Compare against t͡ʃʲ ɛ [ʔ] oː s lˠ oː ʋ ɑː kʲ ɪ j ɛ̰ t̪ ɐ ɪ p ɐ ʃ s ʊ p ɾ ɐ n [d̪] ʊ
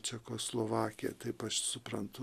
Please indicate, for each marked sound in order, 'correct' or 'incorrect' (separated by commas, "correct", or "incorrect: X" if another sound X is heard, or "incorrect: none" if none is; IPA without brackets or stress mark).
incorrect: k, incorrect: t̪